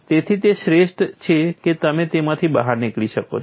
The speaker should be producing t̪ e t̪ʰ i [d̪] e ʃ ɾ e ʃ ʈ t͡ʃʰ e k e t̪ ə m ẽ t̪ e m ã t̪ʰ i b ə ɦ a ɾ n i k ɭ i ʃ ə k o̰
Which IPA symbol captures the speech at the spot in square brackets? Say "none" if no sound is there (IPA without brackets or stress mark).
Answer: t̪